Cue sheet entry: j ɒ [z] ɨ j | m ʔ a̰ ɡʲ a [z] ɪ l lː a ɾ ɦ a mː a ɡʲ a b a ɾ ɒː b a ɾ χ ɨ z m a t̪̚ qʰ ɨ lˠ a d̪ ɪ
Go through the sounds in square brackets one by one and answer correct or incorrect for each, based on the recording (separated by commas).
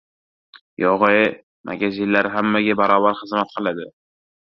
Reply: incorrect, correct